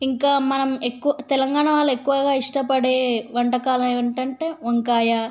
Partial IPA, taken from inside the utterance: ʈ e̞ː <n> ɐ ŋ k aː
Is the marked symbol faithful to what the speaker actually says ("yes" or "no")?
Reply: no